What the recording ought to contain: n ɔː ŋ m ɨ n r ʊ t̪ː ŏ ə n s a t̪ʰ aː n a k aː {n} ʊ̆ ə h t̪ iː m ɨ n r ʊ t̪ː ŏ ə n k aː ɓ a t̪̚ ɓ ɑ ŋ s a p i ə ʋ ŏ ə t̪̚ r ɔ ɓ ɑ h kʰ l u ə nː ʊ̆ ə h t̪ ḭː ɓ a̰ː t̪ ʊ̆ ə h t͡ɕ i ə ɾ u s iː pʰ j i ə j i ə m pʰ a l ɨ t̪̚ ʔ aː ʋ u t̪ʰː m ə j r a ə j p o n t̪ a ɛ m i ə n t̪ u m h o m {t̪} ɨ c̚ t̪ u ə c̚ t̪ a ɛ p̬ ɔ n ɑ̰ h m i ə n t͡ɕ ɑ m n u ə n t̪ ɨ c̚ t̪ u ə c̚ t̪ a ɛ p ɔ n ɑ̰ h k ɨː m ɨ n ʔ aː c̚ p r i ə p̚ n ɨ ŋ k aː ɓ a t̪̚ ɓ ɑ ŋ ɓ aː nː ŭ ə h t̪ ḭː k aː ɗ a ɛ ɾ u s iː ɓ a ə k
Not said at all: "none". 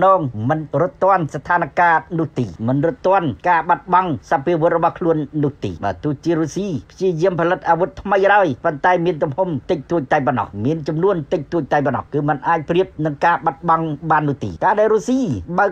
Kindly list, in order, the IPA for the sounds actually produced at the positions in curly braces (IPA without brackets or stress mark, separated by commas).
n, t̪